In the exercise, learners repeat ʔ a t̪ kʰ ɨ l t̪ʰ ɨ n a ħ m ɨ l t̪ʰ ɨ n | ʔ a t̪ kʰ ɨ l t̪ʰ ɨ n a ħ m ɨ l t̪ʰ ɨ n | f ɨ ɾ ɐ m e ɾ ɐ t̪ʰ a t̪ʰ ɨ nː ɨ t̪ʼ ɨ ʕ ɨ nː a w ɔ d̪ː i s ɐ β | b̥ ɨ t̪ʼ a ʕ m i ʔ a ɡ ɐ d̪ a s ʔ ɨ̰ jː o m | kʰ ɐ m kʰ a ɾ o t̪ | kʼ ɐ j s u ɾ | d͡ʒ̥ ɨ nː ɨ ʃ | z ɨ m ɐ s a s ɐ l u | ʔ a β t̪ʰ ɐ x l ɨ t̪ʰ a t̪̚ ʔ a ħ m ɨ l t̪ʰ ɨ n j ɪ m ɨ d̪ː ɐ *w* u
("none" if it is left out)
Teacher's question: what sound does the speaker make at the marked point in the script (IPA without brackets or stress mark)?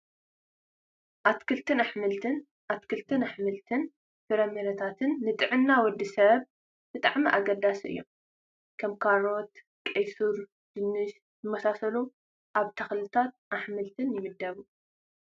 β